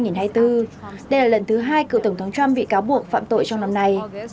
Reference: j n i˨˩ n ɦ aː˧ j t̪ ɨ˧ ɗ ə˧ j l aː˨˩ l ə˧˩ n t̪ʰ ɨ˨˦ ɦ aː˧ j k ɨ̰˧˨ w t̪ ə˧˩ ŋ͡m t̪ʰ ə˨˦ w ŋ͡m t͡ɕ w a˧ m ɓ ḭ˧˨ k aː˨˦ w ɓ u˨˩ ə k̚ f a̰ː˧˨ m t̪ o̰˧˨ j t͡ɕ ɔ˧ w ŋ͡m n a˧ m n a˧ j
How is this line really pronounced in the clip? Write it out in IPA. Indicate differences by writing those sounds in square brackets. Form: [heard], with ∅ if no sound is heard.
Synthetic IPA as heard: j [ŋ] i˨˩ n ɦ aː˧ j t̪ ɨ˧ ɗ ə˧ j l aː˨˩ l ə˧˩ n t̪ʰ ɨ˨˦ ɦ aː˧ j k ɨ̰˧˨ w t̪ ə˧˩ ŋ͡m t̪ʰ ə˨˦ w ŋ͡m t͡ɕ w a˧ m ɓ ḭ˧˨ k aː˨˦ w ɓ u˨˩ ə k̚ f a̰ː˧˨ m t̪ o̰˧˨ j t͡ɕ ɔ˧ w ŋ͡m n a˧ m n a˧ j